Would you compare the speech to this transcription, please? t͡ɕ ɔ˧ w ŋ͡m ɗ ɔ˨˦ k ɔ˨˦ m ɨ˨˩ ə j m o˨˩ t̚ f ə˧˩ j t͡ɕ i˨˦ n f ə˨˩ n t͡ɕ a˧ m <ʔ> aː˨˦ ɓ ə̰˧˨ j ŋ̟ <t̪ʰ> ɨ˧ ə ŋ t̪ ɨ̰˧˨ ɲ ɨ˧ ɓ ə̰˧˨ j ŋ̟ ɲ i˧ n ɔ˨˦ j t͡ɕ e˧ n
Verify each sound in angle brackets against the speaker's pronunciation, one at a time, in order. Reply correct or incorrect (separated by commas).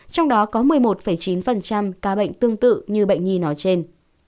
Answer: incorrect, incorrect